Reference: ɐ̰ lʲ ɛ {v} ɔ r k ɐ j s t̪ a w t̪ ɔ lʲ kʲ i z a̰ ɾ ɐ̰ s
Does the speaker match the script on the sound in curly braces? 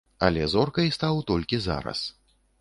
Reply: no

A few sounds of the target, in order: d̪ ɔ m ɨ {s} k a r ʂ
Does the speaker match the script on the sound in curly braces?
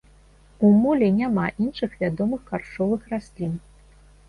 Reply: no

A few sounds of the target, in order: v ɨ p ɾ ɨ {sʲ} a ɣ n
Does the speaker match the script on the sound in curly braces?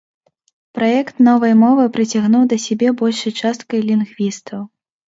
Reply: no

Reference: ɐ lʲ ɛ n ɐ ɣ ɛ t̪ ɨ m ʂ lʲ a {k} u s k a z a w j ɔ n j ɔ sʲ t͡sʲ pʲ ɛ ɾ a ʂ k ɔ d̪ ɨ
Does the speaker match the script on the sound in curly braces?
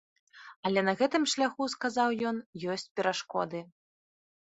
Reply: no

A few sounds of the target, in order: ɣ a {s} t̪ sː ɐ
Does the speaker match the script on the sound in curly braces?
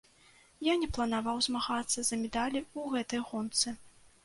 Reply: no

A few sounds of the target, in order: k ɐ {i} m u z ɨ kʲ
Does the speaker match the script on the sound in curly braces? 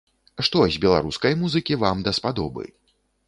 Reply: no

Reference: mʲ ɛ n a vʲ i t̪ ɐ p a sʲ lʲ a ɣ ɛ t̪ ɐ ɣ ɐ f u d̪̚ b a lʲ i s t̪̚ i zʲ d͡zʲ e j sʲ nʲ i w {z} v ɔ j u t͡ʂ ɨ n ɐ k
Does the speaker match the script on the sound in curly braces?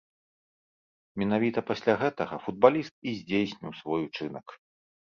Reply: no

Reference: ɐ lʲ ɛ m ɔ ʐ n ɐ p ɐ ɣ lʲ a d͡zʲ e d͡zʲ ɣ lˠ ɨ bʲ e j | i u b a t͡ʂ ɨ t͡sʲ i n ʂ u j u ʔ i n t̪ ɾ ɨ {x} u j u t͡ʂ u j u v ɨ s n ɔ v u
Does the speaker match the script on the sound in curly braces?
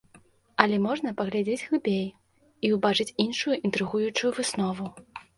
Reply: no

